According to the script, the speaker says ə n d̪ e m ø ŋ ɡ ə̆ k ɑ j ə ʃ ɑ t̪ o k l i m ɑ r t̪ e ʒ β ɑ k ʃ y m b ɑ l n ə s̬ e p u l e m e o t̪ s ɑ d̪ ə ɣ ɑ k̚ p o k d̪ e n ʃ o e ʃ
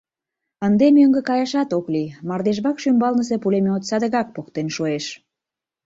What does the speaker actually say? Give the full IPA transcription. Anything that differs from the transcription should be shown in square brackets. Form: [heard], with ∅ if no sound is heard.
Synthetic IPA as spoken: ə n d̪ e m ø ŋ ɡ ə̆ k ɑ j [ɑ] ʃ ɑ t̪ o k l i m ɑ r [d̪] e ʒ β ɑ k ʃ y m b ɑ l n ə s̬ e p u l e m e o t̪ s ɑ d̪ ə ɣ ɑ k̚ p o k [t̪] e n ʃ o e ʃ